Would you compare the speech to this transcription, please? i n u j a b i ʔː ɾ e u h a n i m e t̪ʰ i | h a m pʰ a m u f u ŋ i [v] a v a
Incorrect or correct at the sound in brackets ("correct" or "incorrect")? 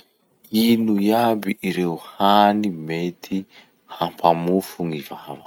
correct